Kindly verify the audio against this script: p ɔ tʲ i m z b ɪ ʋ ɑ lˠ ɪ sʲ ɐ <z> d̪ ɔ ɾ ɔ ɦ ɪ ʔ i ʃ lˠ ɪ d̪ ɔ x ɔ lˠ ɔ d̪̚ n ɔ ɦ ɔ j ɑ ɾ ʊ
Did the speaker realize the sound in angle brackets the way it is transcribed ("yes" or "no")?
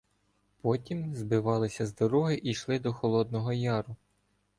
yes